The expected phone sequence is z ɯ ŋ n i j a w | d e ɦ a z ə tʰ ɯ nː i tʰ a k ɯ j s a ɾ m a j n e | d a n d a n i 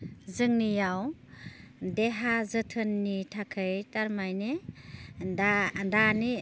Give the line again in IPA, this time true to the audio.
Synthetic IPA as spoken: z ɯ ŋ n i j a w | d e ɦ a z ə tʰ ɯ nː i tʰ a kʰ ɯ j t a ɾ m a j n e | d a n d a n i